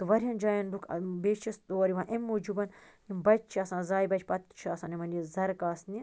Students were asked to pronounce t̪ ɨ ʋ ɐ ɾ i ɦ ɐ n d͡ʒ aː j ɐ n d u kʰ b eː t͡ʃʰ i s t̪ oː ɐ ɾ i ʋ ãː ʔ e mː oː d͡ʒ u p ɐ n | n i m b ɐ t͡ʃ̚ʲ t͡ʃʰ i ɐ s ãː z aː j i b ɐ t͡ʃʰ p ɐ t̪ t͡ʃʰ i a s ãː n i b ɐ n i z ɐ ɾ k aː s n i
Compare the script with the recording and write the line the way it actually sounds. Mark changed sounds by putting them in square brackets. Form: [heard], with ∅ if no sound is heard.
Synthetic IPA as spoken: t̪ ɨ ʋ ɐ ɾ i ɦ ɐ n d͡ʒ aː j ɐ n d u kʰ b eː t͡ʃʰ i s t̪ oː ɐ ɾ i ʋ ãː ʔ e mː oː d͡ʒ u [b] ɐ n | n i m b ɐ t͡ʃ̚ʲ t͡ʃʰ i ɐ s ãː z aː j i b ɐ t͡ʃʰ p ɐ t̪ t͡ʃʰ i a s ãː n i [m] ɐ n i z ɐ ɾ k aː s n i